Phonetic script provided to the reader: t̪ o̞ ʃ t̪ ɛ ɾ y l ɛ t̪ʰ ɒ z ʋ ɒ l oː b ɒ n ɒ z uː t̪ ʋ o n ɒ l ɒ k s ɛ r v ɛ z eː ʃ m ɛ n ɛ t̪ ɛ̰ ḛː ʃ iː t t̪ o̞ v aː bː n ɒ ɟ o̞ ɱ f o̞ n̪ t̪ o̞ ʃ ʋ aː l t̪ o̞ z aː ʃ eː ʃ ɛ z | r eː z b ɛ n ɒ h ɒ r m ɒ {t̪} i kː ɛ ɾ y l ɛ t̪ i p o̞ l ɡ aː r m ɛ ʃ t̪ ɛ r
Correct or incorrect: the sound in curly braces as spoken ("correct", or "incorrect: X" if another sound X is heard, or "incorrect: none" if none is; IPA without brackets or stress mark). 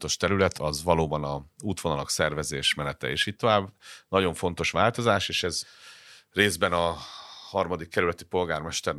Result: incorrect: d̪